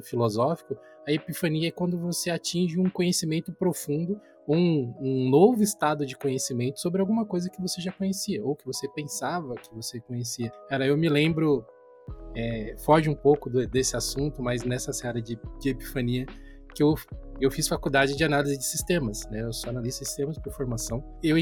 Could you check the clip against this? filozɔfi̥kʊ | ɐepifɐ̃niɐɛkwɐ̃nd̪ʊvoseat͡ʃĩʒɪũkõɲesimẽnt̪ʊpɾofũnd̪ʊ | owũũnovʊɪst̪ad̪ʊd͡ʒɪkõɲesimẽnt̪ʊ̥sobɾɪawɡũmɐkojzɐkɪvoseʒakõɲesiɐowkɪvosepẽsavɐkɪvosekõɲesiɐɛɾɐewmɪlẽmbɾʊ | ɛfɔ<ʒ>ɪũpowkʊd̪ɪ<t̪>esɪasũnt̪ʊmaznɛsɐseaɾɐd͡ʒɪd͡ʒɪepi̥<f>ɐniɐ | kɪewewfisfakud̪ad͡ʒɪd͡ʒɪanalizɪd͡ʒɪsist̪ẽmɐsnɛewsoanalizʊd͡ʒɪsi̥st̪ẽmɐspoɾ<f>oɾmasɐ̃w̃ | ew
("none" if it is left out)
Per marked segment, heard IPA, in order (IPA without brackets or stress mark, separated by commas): ʒ, d̪, f, f